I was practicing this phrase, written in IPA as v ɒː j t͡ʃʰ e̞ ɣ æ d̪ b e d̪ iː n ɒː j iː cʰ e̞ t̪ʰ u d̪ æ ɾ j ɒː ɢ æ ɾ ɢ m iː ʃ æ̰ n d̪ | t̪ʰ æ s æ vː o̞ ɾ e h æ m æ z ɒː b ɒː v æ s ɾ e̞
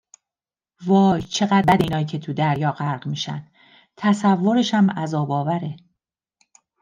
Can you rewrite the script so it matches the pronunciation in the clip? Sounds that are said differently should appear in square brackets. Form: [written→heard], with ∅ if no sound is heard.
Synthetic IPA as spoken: v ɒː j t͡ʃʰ e̞ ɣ æ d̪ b [e→æ] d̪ iː n ɒː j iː cʰ e̞ t̪ʰ u d̪ æ ɾ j ɒː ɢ æ ɾ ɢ m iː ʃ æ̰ n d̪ | t̪ʰ æ s æ vː o̞ ɾ e [h→ʃ] æ m æ z ɒː b ɒː v æ [s→∅] ɾ e̞